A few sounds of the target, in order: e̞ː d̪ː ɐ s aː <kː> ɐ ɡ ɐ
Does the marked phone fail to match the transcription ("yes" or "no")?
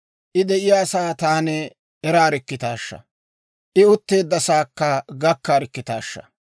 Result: no